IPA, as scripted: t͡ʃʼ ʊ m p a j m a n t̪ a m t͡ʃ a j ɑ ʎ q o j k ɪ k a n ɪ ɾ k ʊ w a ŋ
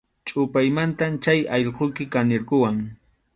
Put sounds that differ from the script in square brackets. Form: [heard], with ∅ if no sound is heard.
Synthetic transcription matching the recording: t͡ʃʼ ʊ [∅] p a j m a n t̪ a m t͡ʃ a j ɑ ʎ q o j k ɪ k a n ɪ ɾ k ʊ w a ŋ